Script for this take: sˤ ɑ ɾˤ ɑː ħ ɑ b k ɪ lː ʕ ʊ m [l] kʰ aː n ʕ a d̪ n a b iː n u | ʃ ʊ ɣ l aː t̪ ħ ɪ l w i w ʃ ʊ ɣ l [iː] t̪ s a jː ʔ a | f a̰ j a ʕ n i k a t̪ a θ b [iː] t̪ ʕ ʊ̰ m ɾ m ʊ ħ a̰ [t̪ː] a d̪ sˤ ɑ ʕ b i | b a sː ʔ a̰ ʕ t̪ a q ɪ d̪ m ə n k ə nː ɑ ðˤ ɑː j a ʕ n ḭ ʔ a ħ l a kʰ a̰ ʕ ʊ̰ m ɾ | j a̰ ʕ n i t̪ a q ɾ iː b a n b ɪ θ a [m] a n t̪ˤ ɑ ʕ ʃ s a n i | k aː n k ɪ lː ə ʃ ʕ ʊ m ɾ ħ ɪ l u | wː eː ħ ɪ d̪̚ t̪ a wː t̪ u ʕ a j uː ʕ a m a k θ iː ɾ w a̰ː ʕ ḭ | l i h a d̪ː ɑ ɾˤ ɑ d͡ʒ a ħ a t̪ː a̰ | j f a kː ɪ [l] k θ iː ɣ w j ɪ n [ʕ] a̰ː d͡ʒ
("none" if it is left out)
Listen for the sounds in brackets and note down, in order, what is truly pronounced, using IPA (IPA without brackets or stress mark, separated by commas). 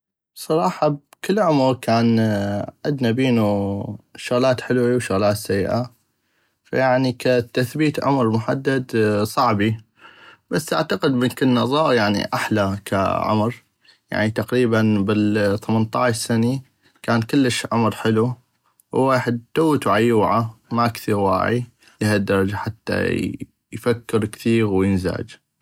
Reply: ɾ, aː, iː, d̪ː, m, ɾ, z